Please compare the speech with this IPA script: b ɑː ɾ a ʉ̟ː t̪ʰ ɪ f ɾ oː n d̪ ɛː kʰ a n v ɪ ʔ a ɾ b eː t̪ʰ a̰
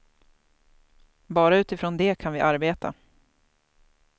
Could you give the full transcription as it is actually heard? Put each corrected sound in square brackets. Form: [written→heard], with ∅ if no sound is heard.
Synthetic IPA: b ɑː ɾ a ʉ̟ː [t̪ʰ→t̪] ɪ f ɾ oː n d̪ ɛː kʰ a n v ɪ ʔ a ɾ b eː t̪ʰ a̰